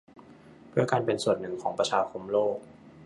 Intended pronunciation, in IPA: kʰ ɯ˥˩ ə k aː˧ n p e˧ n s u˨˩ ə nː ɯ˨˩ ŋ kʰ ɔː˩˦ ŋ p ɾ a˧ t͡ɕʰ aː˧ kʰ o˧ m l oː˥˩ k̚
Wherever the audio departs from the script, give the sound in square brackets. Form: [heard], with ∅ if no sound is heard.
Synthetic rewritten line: [pʰ] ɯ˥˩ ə k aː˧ n p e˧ n s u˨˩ ə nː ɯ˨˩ ŋ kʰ ɔː˩˦ ŋ p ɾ a˧ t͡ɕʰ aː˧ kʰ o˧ m l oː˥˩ k̚